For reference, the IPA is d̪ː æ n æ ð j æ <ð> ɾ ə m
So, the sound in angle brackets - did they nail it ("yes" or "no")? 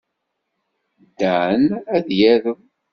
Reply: no